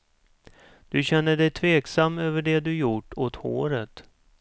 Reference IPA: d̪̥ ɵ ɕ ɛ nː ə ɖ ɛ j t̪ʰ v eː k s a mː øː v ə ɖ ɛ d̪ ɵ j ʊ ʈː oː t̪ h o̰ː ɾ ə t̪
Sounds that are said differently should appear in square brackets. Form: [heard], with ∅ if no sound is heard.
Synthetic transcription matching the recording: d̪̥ ɵ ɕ ɛ nː ə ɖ ɛ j t̪ʰ v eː k s a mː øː v ə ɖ ɛ d̪ ɵ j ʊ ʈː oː t̪ h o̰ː ɾ ə t̪